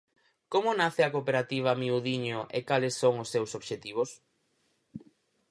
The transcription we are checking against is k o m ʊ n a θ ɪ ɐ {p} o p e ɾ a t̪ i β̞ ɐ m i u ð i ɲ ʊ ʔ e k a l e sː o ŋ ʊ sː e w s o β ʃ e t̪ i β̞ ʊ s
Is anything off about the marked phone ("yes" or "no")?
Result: yes